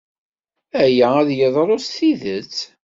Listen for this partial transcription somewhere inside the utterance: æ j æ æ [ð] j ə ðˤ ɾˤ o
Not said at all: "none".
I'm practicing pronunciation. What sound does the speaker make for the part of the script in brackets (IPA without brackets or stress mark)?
ð